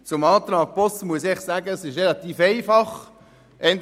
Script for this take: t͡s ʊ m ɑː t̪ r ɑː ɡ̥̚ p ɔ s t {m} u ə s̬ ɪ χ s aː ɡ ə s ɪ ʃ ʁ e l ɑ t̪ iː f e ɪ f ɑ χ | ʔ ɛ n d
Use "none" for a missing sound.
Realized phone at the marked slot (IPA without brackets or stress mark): m